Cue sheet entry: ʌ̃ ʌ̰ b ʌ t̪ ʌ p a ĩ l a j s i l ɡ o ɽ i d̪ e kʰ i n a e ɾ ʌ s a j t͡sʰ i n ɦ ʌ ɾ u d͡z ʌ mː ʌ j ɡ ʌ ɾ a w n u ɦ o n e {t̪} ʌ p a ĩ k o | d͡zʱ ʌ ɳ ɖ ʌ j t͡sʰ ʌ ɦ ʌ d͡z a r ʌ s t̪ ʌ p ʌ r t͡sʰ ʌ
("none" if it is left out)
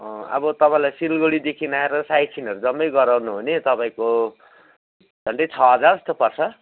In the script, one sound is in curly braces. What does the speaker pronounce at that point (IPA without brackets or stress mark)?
t̪